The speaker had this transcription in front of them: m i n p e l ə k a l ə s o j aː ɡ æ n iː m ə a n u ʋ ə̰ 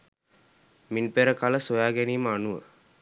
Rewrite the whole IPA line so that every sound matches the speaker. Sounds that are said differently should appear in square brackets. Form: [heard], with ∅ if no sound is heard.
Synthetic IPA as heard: m i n p e [ɾ] ə k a l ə s o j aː ɡ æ n iː m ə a n u ʋ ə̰